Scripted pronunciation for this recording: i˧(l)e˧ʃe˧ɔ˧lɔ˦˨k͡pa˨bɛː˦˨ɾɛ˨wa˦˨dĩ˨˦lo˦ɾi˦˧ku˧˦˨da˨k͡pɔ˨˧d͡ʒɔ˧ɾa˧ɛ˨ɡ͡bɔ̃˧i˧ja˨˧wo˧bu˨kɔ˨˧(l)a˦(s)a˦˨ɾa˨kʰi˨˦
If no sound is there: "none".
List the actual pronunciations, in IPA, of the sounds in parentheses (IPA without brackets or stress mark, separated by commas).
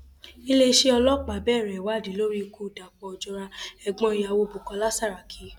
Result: l, l, s